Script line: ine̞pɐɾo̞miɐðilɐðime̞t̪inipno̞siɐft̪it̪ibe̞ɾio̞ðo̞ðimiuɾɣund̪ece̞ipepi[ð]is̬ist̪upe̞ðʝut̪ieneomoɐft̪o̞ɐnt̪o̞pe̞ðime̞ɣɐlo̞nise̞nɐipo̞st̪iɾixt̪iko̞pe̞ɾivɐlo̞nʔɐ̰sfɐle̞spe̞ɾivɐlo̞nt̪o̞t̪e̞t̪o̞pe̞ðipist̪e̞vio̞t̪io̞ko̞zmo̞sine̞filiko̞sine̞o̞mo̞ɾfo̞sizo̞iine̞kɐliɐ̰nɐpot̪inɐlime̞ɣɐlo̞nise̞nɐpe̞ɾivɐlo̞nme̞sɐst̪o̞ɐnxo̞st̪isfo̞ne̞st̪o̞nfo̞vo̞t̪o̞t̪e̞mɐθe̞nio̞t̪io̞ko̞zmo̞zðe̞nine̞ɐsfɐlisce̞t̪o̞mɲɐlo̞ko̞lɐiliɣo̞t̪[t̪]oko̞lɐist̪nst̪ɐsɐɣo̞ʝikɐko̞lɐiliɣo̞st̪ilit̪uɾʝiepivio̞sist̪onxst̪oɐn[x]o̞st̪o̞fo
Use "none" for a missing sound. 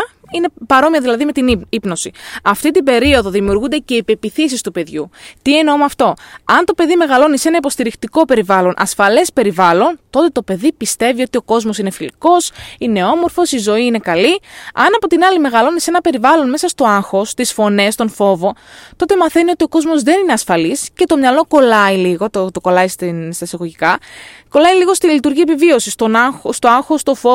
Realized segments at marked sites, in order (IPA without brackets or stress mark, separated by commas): θ, t̪, x